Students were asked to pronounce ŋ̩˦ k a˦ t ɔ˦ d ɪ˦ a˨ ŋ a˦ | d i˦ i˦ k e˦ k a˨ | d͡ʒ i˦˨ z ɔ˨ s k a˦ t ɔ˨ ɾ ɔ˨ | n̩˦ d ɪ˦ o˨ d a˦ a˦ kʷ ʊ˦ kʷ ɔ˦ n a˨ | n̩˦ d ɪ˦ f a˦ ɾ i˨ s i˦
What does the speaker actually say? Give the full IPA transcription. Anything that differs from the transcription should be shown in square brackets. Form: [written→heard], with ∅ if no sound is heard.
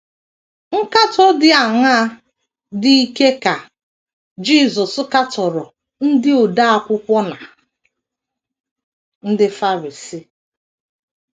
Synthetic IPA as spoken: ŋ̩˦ k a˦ t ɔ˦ d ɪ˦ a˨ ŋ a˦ | d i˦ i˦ k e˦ k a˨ | d͡ʒ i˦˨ z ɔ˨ s k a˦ t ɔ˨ ɾ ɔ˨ | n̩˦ d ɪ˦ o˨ d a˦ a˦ kʷ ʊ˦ kʷ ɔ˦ n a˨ | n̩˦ d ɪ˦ f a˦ ɾ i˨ s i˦